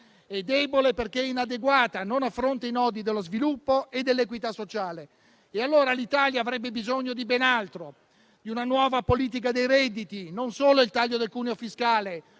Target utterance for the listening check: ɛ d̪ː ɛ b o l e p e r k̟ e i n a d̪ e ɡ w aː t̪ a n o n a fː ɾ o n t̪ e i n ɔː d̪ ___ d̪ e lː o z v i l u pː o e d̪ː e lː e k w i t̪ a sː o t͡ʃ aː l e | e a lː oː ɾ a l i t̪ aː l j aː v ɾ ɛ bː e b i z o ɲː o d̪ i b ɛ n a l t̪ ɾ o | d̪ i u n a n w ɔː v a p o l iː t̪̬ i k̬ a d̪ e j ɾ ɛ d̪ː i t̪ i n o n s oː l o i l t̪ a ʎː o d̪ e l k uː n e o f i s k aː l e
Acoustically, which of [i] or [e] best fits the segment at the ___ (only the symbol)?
i